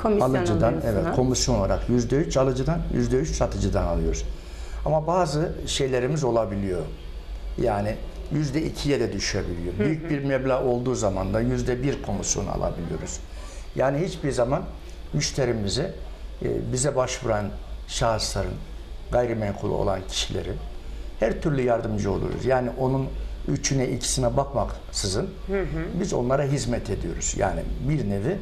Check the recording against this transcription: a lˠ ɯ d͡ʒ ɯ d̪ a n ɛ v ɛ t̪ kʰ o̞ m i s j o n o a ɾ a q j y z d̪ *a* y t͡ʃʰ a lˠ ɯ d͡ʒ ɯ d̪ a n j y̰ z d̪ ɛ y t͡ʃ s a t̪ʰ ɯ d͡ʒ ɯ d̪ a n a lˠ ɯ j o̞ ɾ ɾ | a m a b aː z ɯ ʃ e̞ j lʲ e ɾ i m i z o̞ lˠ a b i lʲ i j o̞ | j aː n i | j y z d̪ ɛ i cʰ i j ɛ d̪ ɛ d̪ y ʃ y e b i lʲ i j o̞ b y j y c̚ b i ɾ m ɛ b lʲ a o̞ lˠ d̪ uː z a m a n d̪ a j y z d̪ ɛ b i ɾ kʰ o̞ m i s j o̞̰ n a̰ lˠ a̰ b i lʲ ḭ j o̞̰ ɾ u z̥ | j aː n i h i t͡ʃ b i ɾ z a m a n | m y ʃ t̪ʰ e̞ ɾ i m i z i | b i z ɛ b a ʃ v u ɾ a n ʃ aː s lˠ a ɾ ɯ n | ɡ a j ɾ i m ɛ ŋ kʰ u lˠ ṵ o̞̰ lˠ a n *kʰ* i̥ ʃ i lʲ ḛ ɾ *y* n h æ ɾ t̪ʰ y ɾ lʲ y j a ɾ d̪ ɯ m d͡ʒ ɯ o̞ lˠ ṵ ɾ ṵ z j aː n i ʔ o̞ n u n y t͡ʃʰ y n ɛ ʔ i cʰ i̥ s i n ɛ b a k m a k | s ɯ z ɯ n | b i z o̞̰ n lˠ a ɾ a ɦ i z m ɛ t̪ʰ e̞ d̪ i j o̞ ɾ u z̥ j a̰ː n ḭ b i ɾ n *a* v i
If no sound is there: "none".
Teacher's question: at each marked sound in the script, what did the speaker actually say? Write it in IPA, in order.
ɛ, cʰ, i, e

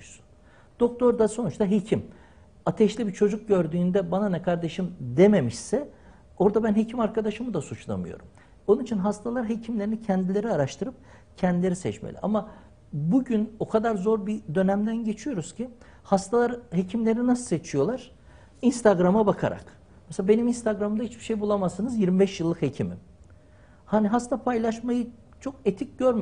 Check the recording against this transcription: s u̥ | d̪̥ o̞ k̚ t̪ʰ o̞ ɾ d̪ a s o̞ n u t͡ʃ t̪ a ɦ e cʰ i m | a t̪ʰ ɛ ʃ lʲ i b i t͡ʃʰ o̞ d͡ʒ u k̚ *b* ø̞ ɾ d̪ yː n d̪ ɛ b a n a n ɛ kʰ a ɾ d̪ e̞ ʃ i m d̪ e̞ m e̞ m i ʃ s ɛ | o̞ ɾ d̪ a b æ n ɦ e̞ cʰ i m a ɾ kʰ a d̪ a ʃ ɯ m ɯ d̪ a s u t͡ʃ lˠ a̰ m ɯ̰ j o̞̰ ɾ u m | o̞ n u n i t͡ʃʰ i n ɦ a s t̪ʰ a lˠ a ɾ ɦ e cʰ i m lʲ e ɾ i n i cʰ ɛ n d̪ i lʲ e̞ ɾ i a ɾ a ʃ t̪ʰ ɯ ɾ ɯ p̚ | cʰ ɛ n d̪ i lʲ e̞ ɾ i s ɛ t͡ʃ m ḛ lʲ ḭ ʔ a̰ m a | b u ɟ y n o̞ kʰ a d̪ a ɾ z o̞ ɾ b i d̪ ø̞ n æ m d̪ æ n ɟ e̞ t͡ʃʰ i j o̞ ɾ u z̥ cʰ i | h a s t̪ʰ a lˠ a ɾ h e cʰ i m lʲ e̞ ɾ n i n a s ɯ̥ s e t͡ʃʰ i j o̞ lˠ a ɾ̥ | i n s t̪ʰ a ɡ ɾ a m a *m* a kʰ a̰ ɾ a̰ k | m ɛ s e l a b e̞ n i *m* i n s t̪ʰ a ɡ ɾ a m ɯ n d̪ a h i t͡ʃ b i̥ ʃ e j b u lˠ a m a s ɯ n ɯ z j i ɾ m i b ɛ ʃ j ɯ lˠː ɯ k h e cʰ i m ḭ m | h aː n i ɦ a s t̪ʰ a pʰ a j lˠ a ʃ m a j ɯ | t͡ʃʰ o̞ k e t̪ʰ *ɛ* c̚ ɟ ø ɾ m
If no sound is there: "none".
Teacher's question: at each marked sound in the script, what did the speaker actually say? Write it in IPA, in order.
ɟ, b, m, i

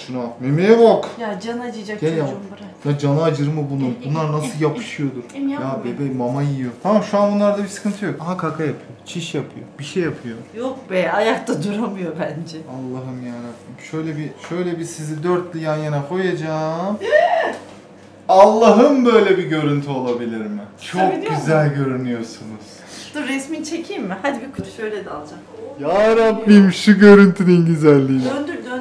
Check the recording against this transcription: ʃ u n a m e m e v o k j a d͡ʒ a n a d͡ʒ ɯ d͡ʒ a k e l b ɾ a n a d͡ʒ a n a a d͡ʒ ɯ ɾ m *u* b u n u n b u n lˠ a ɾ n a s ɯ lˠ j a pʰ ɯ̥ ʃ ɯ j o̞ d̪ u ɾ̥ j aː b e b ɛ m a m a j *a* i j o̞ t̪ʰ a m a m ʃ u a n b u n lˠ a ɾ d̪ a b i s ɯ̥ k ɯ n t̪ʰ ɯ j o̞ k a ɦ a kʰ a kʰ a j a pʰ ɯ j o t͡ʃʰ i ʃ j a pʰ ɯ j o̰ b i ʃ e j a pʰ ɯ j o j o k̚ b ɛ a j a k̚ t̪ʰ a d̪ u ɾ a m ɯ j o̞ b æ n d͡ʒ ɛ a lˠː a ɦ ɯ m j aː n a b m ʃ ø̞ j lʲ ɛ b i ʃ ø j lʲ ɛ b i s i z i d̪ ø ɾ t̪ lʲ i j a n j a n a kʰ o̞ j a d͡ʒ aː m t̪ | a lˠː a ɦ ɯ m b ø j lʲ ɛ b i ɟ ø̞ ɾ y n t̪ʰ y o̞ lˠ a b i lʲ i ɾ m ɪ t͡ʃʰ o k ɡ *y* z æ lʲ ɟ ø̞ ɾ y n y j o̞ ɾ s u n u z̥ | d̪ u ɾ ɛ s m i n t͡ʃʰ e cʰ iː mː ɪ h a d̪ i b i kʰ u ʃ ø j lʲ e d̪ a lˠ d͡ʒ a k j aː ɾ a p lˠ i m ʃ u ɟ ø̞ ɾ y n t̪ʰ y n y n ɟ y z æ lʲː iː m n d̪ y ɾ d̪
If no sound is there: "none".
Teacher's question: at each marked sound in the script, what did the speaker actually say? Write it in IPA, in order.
ɯ, i, y

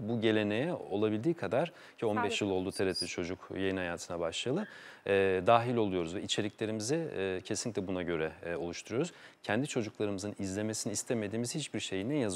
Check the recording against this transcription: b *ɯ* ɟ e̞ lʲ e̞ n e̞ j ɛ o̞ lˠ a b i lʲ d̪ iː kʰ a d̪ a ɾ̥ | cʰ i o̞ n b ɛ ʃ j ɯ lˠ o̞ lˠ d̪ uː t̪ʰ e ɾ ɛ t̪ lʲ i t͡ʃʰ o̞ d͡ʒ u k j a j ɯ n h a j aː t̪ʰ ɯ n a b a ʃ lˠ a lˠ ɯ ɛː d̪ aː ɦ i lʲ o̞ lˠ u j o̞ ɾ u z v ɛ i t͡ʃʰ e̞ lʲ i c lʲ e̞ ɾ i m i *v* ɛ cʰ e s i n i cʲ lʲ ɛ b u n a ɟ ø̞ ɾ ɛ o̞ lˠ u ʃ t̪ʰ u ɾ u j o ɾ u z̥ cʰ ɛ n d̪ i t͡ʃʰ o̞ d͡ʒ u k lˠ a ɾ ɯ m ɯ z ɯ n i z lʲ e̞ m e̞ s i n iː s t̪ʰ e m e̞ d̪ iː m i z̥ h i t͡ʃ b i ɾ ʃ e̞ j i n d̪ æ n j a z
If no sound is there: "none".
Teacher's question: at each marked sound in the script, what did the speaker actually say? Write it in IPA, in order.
u, z

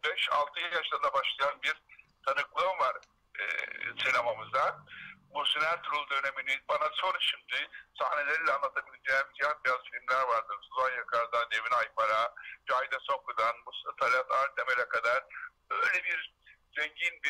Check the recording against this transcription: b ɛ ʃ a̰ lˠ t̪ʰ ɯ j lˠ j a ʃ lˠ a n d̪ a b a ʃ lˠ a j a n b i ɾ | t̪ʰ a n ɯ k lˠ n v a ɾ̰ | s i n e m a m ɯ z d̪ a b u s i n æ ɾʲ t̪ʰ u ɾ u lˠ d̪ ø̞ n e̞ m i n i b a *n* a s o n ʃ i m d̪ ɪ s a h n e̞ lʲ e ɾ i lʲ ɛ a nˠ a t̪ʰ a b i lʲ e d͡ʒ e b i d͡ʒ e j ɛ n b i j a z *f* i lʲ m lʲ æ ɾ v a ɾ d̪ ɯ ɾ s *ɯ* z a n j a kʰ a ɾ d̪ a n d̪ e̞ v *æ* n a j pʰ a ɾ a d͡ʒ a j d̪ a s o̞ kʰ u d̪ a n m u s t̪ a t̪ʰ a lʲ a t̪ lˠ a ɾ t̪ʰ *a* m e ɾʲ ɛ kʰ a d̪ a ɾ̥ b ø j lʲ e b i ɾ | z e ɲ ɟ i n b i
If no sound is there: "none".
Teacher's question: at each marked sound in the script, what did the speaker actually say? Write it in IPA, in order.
n, f, u, i, e

